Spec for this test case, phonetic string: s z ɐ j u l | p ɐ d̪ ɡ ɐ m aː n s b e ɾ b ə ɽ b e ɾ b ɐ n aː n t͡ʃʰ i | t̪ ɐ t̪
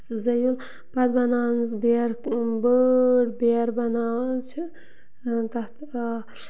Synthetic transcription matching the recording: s z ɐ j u l | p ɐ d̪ b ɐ n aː n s b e ɾ b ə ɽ b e ɾ b ɐ n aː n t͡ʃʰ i | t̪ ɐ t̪